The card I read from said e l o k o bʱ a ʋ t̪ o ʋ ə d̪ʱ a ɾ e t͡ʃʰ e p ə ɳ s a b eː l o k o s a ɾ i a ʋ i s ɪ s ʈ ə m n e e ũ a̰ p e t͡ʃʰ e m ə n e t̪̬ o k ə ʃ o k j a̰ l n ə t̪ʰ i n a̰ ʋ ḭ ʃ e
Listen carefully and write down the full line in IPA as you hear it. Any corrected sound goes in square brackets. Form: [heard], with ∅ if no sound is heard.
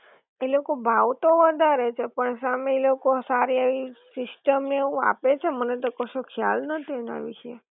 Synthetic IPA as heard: e l o k o bʱ a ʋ t̪ o ʋ ə d̪ʱ a ɾ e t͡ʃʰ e p ə ɳ s a [m] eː l o k o s a ɾ i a ʋ i s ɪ s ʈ ə m n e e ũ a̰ p e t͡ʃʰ e m ə n e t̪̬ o k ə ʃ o [kʰ] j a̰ l n ə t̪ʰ i n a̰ ʋ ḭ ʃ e

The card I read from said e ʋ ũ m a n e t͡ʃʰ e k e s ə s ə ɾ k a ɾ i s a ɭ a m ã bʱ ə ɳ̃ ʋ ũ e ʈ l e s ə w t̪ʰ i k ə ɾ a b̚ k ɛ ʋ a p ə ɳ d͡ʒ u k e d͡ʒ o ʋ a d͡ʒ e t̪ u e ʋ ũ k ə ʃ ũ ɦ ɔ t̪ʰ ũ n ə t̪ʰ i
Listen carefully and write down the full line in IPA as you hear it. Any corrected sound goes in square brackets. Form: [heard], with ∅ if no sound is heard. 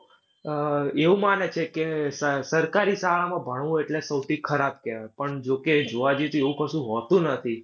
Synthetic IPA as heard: e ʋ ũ m a n e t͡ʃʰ e k e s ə s ə ɾ k a ɾ i s a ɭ a m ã bʱ ə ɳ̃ ʋ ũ e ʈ l e s ə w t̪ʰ i [kʰ] ə ɾ a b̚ k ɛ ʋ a p ə ɳ d͡ʒ [o] k e d͡ʒ o ʋ a d͡ʒ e t̪ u e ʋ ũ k ə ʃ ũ ɦ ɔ [t̪] ũ n ə t̪ʰ i

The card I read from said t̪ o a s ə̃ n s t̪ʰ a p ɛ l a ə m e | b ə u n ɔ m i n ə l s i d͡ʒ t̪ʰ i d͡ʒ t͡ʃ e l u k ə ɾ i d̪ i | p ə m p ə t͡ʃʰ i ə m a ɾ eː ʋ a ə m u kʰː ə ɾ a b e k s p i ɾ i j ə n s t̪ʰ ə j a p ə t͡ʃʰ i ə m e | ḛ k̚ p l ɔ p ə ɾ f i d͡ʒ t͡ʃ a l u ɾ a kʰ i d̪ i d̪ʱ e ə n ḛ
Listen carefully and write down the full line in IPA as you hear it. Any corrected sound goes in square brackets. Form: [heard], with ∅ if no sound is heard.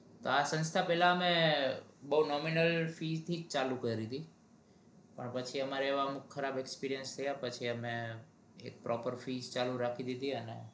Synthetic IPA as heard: t̪ o a s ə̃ n s t̪ʰ a p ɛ l a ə m e | b ə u n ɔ m i n ə l [f] i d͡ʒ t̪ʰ i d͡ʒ t͡ʃ [a] l u k ə ɾ i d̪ i | p ə [ɳ] p ə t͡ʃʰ i ə m a ɾ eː ʋ a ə m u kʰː ə ɾ a b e k s p i ɾ i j ə n s t̪ʰ ə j a p ə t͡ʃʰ i ə m e | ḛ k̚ p [ɾ] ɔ p ə ɾ f i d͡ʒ t͡ʃ a l u ɾ a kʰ i d̪ i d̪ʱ [i] ə n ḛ

